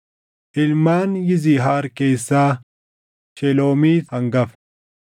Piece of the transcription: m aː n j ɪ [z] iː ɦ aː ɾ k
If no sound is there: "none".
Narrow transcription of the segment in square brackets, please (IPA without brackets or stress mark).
z